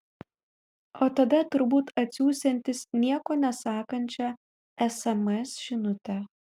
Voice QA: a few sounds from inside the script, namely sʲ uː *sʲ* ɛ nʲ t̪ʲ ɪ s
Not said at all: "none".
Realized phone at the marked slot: sʲ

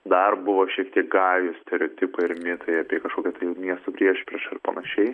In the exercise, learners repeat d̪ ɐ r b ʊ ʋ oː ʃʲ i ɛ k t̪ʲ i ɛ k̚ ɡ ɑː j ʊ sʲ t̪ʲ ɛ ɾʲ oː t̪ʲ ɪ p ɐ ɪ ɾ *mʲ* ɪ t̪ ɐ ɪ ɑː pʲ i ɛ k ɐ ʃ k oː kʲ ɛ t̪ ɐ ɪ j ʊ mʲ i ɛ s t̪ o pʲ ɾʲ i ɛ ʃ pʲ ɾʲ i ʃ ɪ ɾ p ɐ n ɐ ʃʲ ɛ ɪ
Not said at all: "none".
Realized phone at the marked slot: mʲ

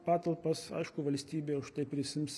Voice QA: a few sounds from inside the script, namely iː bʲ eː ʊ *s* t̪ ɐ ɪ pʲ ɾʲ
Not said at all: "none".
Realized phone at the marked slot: ʃ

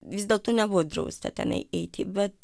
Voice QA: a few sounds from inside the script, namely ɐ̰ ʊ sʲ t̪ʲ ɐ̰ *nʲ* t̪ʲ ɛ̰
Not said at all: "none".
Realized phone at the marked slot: none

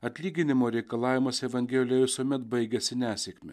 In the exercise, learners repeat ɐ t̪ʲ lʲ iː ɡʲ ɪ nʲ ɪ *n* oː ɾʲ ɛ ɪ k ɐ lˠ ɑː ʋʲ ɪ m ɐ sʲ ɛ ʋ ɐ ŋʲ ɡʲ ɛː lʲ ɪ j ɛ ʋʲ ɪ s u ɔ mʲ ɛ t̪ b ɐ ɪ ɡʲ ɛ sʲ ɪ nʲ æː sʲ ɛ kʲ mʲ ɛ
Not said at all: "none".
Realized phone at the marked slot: m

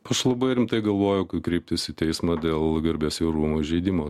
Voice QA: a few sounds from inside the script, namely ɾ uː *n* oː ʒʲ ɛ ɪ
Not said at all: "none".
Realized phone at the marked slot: m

